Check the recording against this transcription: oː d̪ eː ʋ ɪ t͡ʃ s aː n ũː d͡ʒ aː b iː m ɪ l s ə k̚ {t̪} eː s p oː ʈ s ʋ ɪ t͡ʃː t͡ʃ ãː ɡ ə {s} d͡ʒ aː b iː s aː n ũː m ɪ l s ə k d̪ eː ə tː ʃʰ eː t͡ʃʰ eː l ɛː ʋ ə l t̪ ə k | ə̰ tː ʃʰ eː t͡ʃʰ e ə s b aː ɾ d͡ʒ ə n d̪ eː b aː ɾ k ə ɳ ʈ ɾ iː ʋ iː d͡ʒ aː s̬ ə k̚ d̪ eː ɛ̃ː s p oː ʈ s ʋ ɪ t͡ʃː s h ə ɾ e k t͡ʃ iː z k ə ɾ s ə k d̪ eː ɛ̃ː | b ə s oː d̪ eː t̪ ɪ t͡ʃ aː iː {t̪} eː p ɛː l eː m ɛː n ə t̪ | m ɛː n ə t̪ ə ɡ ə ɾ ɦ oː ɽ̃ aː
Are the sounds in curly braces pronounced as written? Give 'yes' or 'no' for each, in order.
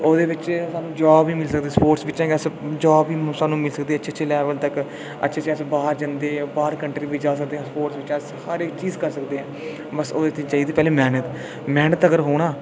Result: no, yes, no

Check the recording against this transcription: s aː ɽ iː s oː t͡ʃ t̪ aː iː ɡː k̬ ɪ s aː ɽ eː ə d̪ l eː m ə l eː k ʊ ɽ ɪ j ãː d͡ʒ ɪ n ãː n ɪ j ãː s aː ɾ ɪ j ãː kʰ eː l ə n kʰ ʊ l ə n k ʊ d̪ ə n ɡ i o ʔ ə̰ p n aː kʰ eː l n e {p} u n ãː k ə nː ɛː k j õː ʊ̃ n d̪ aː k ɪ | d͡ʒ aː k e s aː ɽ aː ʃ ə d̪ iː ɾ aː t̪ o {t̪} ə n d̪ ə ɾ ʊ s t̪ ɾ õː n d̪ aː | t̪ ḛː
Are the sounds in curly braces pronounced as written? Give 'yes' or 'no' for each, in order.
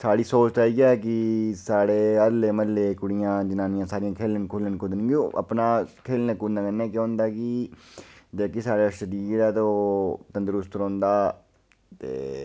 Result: no, yes

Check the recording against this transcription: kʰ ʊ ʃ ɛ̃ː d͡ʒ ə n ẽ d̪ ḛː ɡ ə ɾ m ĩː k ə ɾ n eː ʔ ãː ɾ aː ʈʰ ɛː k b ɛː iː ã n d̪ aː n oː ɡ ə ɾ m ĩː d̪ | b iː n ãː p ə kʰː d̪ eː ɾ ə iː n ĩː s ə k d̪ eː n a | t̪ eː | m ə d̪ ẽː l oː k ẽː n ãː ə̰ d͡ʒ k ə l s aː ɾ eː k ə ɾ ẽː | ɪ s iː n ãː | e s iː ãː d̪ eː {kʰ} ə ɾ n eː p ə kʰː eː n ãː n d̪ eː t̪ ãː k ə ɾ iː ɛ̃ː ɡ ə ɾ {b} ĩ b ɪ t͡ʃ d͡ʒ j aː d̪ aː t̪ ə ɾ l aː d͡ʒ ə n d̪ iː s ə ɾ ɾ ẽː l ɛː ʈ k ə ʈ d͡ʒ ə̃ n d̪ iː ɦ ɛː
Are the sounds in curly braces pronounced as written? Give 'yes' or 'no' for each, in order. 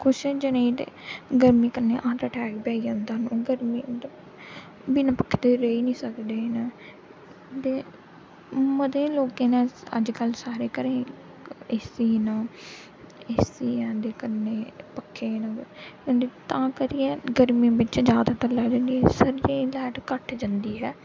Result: no, no

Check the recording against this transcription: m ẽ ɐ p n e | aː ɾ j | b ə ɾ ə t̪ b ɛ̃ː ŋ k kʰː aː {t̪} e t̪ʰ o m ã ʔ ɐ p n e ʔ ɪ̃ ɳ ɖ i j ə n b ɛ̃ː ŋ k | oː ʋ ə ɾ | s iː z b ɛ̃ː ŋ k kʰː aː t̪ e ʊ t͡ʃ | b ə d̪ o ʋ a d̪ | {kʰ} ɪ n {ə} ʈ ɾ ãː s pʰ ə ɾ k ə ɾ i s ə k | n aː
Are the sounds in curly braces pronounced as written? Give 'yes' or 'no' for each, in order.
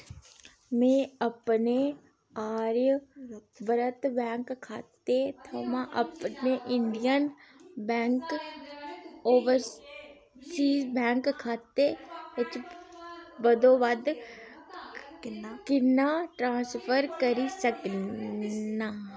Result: yes, no, no

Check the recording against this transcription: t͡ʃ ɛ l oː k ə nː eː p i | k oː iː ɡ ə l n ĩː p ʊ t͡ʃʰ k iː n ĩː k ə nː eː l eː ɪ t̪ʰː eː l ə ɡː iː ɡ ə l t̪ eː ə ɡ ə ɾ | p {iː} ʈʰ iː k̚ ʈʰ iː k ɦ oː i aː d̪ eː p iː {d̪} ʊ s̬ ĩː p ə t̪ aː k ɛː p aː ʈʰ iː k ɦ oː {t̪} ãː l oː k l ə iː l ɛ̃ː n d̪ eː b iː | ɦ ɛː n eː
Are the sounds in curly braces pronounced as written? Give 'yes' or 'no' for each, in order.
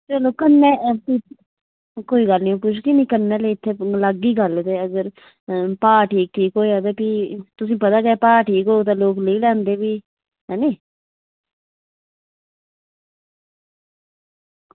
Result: no, no, yes

